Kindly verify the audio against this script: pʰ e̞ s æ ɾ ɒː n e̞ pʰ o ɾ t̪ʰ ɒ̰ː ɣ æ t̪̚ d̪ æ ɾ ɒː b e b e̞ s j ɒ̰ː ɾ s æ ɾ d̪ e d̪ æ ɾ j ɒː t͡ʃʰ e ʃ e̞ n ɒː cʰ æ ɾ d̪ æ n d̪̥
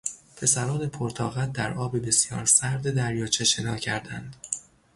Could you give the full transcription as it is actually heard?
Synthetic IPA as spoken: pʰ e̞ s æ ɾ ɒː n e̞ pʰ o ɾ t̪ʰ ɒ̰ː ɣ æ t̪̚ d̪ æ ɾ ɒː b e b e̞ s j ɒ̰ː ɾ s æ ɾ d̪ e d̪ æ ɾ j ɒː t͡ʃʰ e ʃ e̞ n ɒː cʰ æ ɾ d̪ æ n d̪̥